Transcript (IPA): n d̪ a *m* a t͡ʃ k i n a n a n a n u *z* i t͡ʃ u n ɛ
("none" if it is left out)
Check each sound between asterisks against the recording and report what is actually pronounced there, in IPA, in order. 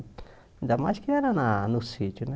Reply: m, s

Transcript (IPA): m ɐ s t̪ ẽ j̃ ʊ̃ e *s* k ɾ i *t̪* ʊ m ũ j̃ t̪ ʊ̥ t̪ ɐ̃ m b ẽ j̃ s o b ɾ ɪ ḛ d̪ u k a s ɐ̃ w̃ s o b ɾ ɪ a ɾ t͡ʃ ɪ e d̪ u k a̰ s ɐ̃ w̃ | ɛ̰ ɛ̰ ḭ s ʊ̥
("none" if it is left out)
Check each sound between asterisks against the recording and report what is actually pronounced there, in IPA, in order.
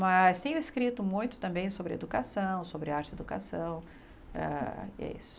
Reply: s, t̪

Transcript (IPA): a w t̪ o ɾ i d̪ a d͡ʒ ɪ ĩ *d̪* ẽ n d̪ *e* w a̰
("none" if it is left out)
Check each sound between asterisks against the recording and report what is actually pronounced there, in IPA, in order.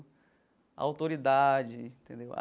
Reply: t̪, e

